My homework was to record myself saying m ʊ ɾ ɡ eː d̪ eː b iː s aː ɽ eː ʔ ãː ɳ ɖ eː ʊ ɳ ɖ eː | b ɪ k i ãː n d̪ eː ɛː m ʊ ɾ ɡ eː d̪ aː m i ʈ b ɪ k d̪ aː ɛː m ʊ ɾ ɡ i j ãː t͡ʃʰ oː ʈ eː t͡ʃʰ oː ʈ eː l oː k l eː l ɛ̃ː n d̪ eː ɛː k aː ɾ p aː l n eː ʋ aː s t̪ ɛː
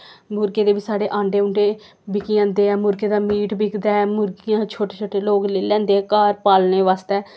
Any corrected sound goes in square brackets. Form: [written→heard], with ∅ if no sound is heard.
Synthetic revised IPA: m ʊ ɾ ɡ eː d̪ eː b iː s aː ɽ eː ʔ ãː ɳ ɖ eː ʊ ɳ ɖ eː | b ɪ k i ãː n d̪ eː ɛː m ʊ ɾ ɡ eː d̪ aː m [i→iː] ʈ b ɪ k d̪ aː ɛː m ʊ ɾ ɡ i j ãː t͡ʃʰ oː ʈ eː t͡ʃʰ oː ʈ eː l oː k l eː l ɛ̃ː n d̪ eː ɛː k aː ɾ p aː l n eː ʋ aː s t̪ ɛː